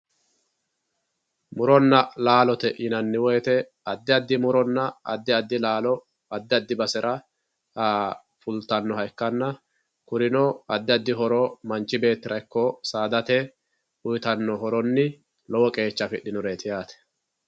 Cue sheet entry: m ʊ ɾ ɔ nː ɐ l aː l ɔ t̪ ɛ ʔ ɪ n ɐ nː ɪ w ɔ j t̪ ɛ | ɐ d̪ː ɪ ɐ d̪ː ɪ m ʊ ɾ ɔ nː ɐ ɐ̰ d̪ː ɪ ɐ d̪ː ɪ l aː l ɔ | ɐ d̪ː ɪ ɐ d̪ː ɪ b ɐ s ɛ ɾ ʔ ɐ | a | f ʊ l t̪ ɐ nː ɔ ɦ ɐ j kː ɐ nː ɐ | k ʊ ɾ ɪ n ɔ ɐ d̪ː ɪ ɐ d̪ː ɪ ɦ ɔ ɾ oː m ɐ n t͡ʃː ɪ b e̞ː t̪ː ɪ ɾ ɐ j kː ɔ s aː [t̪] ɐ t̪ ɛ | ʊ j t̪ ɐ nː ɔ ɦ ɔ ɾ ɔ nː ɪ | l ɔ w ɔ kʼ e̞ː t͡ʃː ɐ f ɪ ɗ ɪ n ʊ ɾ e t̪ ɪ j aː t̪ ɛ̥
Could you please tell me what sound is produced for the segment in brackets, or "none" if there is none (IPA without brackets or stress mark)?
d̪